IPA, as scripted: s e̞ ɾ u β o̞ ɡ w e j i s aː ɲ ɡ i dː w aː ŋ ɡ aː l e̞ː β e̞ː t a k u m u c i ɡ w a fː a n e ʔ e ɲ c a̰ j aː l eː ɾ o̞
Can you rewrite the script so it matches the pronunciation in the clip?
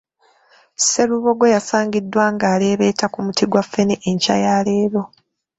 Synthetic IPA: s e̞ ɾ u β o̞ ɡ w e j a s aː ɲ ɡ i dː w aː ŋ ɡ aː l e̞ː β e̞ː t a k u m u t i ɡ w a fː e n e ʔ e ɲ c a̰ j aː l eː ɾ o̞